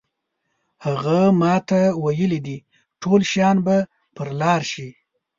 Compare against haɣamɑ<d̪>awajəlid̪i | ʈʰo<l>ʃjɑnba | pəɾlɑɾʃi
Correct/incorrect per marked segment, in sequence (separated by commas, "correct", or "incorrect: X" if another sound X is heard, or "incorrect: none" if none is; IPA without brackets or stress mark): incorrect: t̪, correct